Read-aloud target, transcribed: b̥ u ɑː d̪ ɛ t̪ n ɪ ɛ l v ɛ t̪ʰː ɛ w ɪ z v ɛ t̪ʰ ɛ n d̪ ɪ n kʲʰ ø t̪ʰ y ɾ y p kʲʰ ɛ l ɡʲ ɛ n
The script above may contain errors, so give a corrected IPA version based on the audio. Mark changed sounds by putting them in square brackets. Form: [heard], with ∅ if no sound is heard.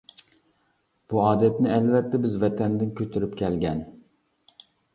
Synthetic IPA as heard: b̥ u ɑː d̪ ɛ t̪ n ɪ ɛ l v ɛ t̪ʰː ɛ [b] ɪ z v ɛ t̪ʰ ɛ n d̪ ɪ n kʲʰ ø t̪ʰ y ɾ y p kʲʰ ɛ l ɡʲ ɛ n